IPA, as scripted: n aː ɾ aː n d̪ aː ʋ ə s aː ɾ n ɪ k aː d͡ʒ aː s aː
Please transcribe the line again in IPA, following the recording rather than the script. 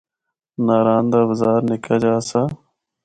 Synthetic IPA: n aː ɾ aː n d̪ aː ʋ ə z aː ɾ n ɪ k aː d͡ʒ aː s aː

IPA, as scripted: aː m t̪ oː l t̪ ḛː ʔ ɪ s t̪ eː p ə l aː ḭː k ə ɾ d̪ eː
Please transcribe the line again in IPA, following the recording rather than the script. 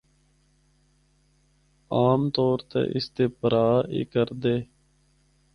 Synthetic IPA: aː m t̪ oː ɾ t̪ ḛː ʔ ɪ s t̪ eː p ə ɾ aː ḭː k ə ɾ d̪ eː

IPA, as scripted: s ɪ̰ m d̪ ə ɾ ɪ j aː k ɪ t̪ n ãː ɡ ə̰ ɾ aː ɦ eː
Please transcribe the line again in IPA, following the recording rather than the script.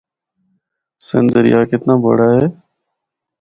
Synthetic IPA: s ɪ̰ n d̪ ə ɾ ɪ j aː k ɪ t̪ n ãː b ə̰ ɽ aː ɦ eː

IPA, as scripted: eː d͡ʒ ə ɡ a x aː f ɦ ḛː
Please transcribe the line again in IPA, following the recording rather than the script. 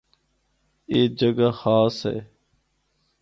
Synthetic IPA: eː d͡ʒ ə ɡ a x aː s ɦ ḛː

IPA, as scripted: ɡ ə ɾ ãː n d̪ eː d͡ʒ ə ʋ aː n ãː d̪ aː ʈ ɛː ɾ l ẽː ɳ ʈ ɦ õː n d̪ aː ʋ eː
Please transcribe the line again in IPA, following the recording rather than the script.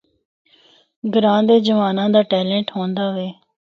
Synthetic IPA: ɡ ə ɾ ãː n d̪ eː d͡ʒ ə ʋ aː n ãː d̪ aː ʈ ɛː l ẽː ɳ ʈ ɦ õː n d̪ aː ʋ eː

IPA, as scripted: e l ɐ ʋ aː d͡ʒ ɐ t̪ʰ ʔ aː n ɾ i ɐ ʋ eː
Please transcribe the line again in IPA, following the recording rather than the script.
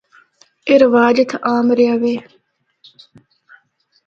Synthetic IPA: e ɾ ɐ ʋ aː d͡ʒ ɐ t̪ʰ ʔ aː m ɾ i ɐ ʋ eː

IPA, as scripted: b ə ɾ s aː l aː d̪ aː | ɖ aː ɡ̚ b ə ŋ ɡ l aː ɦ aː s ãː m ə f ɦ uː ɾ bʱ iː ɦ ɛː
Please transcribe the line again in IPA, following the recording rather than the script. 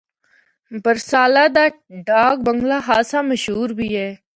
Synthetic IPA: b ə ɾ s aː l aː d̪ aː | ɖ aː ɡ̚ b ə ŋ ɡ l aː ɦ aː s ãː m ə ʃ ɦ uː ɾ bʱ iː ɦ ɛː

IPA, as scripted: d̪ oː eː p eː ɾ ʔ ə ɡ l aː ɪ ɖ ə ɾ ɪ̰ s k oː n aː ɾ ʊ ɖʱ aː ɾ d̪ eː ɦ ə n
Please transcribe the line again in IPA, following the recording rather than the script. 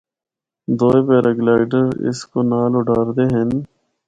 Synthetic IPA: d̪ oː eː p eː ɾ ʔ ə ɡ l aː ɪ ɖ ə ɾ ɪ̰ s k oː n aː l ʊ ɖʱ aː ɾ d̪ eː ɦ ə n

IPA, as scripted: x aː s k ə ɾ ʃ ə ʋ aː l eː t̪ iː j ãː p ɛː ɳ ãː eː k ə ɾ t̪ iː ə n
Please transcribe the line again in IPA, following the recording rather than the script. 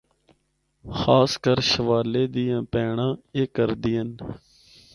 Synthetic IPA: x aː s k ə ɾ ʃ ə ʋ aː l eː d̪ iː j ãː p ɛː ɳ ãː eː k ə ɾ d̪ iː ə n

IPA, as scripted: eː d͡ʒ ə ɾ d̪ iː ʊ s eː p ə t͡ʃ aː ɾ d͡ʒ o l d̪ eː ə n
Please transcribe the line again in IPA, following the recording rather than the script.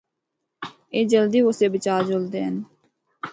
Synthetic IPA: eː d͡ʒ ə l d̪ iː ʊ s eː b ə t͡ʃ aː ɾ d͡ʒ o l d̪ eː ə n

